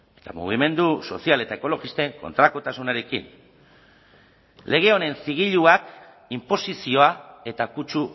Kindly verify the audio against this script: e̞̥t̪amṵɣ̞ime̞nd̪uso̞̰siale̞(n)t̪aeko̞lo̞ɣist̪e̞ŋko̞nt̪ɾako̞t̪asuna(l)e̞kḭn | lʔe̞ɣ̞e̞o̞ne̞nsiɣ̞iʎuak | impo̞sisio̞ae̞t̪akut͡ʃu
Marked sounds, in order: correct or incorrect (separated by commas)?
incorrect, incorrect